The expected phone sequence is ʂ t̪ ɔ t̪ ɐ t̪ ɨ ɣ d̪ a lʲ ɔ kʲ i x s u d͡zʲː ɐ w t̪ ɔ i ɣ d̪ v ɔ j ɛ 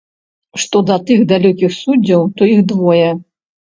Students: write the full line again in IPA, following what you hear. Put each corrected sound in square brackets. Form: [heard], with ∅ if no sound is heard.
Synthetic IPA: ʂ t̪ ɔ [d̪] ɐ t̪ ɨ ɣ d̪ a lʲ ɔ kʲ i x s u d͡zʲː ɐ w t̪ ɔ i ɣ d̪ v ɔ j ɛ